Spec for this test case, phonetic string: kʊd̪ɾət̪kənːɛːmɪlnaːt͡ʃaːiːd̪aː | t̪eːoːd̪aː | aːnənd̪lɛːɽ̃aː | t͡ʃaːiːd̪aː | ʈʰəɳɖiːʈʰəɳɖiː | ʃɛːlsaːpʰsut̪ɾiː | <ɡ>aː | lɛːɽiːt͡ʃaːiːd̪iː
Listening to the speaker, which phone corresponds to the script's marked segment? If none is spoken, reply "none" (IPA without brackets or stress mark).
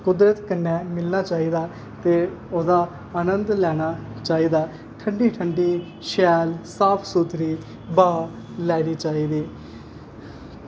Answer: b